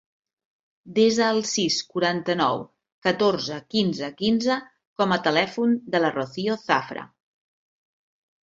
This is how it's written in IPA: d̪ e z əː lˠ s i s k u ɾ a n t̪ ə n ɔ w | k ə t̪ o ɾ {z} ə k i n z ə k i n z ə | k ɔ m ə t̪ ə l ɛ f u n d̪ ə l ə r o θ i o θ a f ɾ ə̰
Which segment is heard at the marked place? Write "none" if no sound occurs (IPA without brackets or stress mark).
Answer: z